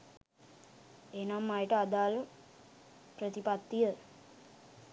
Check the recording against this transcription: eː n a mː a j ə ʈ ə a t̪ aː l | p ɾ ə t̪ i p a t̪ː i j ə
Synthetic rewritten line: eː n a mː a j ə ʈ ə a d̪ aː l | p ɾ ə t̪ i p a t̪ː i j ə